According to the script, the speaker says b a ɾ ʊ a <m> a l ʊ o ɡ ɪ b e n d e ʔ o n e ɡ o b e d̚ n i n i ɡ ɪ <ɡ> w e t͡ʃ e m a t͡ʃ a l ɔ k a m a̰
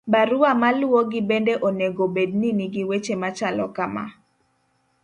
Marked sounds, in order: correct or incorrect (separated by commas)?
correct, incorrect